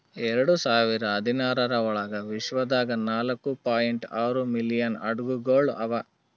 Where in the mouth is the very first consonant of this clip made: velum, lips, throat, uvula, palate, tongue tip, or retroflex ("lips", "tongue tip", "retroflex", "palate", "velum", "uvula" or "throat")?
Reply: tongue tip